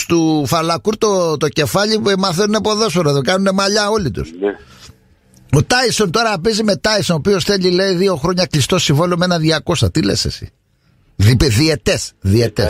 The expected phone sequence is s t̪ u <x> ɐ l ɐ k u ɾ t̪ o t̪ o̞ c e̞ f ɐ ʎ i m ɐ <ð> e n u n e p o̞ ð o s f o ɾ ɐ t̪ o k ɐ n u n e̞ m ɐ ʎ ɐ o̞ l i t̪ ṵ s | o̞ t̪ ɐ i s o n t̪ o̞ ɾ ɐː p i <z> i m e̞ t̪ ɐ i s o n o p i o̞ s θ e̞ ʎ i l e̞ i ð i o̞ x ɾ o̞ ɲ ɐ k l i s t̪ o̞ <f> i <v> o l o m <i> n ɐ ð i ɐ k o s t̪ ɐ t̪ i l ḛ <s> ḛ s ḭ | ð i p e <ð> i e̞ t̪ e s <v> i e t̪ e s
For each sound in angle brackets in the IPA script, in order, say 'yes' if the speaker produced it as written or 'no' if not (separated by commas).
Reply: no, no, yes, no, yes, no, yes, yes, no